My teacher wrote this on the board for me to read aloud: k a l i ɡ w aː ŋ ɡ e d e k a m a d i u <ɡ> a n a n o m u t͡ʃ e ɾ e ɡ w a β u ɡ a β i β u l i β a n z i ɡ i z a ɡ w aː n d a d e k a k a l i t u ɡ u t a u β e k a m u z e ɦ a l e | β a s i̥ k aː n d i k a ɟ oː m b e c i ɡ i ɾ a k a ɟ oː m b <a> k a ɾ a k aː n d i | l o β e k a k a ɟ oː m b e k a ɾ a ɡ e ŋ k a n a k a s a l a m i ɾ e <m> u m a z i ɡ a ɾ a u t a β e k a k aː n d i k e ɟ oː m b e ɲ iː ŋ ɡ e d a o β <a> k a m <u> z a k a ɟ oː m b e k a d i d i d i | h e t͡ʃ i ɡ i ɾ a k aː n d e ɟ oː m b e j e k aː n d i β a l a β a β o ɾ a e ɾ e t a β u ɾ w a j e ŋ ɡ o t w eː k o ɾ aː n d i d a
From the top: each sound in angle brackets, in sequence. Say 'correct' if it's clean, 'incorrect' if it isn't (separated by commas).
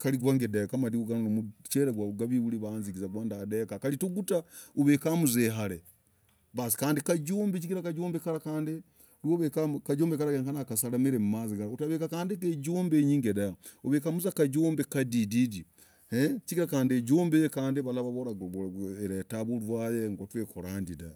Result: correct, incorrect, correct, incorrect, correct